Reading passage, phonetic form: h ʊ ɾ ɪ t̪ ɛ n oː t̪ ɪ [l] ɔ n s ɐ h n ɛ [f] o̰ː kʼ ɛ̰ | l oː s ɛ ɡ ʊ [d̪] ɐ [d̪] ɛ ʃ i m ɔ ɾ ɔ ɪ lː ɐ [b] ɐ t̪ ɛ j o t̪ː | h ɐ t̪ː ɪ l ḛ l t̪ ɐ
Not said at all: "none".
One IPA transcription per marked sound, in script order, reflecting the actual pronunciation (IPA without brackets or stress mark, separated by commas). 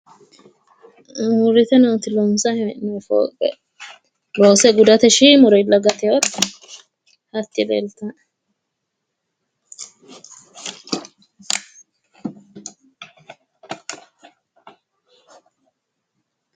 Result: l, f, d̪, t̪, ɡ